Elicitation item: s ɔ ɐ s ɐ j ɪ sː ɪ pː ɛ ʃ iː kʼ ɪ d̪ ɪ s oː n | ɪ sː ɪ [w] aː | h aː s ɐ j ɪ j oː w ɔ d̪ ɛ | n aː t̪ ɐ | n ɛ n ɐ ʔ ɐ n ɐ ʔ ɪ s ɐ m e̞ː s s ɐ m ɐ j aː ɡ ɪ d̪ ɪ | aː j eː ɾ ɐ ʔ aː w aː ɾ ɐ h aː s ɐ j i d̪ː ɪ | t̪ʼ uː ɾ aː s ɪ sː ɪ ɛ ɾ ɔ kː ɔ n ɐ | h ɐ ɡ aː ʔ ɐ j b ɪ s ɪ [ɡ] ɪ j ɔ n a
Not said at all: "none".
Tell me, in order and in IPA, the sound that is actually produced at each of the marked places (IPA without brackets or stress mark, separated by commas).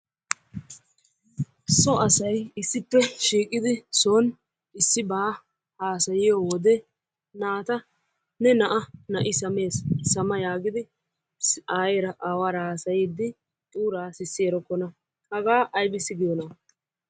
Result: b, ɡ